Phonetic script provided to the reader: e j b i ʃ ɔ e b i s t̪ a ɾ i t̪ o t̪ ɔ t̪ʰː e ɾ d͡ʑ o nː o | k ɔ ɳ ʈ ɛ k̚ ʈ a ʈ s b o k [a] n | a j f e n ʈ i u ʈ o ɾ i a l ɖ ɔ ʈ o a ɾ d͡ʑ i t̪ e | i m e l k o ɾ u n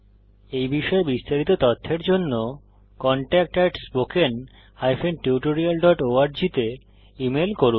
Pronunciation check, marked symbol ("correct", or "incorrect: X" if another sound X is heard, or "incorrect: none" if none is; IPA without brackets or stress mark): incorrect: e